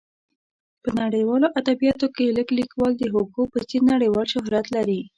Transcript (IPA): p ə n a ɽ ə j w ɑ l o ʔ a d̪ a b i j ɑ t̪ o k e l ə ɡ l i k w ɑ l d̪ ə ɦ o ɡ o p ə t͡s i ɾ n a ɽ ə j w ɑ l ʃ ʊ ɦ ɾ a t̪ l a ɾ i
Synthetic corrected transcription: p ə n a ɽ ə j w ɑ l o ʔ a d̪ a b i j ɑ t̪ o k e l ə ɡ l i k w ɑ l d̪ ə ɦ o ɡ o p ə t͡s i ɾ n a ɽ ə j w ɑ l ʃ ʊ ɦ ɾ a t̪ l a ɾ i